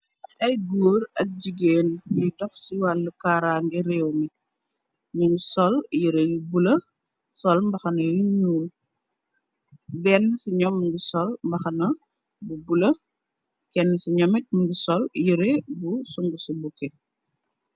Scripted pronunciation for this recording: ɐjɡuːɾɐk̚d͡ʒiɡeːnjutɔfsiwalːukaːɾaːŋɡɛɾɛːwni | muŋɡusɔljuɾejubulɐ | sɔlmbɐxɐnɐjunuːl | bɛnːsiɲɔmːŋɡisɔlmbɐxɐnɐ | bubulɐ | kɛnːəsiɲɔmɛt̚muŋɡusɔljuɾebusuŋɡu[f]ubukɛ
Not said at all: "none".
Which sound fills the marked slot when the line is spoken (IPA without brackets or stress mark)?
s